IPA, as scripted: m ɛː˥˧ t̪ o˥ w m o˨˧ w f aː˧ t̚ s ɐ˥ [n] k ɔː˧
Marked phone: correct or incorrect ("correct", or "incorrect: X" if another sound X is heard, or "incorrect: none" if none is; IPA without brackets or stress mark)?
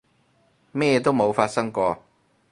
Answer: incorrect: ŋ